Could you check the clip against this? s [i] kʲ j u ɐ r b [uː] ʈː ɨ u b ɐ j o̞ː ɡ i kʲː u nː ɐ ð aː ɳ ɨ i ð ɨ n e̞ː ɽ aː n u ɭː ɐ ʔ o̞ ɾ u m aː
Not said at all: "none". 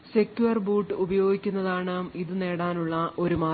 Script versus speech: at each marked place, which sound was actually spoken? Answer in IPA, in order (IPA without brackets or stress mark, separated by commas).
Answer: e, uː